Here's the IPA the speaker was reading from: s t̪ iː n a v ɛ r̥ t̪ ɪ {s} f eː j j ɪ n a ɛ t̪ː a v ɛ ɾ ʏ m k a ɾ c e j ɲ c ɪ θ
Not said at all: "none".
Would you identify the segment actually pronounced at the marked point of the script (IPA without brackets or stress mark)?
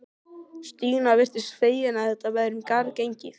s